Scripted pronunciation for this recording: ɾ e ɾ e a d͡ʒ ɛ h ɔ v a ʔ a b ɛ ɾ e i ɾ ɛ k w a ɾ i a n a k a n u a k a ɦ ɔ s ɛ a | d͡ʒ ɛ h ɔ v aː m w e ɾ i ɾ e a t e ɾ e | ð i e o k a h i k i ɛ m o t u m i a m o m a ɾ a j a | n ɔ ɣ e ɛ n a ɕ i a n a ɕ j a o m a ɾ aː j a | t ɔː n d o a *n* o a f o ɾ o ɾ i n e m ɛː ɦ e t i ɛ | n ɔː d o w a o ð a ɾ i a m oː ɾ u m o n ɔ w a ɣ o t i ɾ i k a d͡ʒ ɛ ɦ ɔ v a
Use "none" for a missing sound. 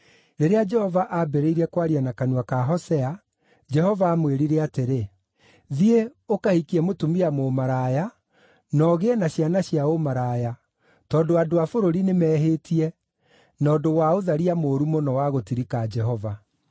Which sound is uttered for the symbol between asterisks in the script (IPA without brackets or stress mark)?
d